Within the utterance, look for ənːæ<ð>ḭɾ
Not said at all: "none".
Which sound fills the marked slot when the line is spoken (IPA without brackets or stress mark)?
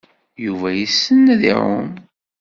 ð